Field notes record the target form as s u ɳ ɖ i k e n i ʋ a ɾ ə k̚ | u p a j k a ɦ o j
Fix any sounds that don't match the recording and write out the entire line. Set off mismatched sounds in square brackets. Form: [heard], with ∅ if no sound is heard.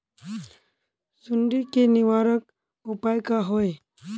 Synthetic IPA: s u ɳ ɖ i k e n i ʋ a ɾ ə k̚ | u p a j k a ɦ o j